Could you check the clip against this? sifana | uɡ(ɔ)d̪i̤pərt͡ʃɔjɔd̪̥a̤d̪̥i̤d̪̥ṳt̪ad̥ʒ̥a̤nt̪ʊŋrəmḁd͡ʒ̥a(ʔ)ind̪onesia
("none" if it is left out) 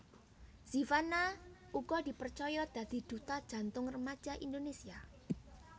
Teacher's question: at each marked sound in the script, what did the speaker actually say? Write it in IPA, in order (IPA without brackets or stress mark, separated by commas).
ɔ, ʔ